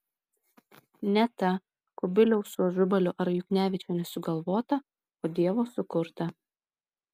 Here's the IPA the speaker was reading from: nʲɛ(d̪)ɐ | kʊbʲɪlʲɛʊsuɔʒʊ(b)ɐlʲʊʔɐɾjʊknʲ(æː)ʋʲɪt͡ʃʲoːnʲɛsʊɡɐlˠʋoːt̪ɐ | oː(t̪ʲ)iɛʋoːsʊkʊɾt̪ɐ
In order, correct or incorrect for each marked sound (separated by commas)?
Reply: incorrect, correct, correct, incorrect